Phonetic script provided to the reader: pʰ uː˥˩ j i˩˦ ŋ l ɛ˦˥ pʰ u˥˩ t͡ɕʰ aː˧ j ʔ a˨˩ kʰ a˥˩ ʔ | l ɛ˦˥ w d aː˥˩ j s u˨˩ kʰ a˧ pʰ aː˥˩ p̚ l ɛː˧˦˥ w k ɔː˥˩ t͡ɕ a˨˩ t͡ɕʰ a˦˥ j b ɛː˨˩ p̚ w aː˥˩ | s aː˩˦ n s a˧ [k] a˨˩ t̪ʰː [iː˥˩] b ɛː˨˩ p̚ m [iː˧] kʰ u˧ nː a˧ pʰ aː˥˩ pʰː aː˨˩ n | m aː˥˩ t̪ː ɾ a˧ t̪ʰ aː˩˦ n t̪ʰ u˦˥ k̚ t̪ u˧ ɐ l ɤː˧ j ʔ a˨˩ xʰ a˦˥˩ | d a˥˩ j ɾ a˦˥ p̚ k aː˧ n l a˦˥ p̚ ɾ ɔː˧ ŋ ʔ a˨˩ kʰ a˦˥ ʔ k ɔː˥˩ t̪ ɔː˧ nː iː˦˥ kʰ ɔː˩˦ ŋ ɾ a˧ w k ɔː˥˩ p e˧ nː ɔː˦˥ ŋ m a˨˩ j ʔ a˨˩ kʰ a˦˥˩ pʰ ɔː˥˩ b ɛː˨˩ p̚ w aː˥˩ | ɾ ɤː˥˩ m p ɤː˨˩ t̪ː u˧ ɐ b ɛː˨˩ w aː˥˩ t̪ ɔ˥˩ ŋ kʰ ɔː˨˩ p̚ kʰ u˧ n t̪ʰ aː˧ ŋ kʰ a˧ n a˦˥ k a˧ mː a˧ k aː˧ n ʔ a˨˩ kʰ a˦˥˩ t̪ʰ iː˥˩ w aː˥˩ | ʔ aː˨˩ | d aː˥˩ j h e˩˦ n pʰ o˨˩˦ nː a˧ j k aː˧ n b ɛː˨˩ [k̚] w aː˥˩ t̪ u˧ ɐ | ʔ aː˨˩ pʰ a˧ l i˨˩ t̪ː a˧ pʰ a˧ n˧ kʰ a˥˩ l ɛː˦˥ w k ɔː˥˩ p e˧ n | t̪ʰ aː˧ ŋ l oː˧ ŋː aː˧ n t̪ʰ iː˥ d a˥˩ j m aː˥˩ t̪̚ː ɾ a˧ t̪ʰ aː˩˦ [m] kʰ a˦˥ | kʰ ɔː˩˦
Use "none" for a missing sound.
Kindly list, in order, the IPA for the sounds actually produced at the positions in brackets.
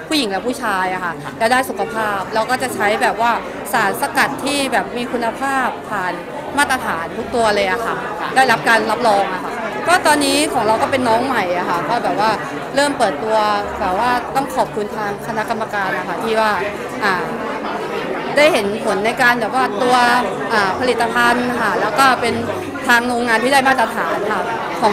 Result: k, iː˥˩, iː˧, p̚, n

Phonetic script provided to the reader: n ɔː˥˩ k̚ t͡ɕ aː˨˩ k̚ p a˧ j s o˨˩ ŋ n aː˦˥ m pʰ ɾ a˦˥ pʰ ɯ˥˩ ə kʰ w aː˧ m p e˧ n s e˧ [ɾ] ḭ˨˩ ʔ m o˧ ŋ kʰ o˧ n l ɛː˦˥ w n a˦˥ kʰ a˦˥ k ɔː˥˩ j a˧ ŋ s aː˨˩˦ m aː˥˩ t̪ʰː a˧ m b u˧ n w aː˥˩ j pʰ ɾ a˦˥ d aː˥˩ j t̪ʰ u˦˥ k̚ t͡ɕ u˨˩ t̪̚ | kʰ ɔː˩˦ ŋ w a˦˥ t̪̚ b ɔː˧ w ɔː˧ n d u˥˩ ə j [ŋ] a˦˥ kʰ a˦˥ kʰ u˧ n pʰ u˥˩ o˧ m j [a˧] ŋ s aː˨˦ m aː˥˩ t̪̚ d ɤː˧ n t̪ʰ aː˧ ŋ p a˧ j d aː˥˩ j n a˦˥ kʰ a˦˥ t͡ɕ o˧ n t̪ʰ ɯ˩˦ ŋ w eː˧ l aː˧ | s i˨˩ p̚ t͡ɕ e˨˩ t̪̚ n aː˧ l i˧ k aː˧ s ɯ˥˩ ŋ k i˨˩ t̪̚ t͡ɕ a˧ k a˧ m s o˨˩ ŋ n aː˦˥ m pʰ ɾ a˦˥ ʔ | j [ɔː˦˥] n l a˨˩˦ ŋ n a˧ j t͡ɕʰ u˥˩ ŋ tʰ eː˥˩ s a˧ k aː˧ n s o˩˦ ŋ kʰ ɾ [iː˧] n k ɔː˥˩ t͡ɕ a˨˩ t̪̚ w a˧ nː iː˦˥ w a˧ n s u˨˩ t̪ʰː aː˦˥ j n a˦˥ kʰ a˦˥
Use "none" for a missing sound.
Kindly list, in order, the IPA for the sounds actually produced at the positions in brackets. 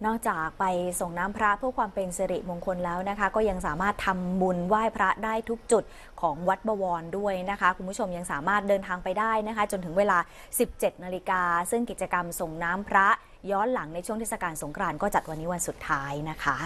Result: ɾ, n, a˧, ɔː˦˥, aː˧

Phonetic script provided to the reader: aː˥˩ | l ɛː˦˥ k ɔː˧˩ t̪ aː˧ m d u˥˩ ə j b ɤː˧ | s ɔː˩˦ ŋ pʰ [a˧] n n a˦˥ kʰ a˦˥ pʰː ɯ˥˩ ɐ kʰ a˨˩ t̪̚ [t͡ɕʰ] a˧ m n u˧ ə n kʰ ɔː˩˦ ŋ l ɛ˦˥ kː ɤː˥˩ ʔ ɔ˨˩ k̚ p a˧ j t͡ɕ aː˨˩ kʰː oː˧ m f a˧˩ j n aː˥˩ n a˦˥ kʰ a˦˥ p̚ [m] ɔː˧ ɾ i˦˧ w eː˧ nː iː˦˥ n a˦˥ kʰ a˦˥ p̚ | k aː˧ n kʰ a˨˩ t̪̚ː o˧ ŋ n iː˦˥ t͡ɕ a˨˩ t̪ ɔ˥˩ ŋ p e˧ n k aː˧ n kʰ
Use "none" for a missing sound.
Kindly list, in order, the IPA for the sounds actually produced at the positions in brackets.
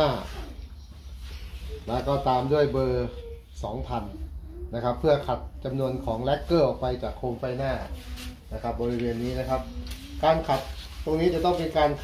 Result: a˧, t͡ɕ, b

